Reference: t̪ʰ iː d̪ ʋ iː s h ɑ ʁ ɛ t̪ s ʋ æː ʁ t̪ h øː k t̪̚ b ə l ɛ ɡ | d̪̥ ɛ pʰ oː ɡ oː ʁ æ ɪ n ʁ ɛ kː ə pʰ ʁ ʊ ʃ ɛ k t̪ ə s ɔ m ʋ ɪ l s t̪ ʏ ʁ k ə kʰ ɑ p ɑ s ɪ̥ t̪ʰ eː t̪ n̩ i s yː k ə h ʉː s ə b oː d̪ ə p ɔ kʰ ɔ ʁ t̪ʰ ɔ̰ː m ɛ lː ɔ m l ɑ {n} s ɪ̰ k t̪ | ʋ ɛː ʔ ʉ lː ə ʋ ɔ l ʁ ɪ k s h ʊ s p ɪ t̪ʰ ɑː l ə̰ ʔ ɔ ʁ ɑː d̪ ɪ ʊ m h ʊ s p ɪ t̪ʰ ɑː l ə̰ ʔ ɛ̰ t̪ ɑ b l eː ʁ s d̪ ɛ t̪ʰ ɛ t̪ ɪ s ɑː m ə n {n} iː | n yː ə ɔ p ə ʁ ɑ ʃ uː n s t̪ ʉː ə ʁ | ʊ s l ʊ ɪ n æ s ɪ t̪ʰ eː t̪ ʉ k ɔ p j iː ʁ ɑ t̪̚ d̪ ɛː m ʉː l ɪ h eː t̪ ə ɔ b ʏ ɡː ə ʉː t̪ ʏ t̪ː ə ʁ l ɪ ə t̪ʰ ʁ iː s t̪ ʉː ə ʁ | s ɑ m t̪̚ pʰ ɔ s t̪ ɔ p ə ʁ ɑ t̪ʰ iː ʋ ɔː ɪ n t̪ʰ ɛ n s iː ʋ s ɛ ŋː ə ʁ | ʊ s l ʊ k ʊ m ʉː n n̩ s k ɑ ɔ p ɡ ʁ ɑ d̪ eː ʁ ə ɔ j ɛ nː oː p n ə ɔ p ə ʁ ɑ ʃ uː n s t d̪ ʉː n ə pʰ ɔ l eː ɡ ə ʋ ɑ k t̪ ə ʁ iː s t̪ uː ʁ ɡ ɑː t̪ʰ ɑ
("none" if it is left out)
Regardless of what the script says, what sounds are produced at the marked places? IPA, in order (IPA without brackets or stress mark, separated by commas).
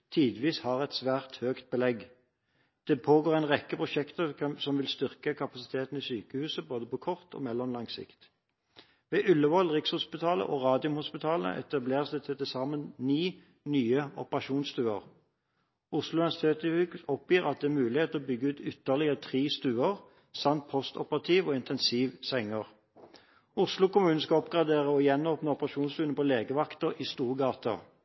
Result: ŋ, n